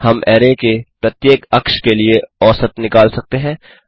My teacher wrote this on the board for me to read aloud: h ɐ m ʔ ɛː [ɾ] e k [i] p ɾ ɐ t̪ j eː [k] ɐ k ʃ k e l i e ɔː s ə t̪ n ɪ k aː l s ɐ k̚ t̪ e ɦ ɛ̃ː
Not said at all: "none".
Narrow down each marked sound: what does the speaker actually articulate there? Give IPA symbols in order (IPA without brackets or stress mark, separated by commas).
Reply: ɾ, e, k